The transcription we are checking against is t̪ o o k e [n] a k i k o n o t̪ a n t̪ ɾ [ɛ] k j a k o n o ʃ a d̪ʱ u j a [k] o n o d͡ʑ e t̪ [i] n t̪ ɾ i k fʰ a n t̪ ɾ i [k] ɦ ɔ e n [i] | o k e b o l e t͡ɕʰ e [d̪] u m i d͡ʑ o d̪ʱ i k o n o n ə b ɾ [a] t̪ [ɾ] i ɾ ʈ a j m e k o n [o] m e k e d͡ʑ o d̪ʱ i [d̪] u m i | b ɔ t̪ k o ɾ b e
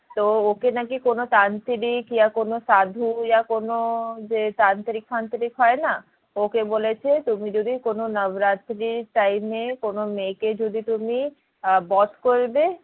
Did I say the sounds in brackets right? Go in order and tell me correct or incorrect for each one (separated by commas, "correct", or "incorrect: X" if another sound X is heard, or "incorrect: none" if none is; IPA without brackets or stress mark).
correct, incorrect: i, correct, incorrect: a, correct, incorrect: a, incorrect: t̪, correct, correct, correct, incorrect: t̪